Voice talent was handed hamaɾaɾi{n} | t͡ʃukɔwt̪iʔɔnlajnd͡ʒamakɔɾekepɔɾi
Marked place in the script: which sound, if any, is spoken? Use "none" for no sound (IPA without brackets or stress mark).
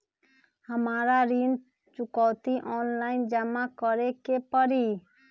n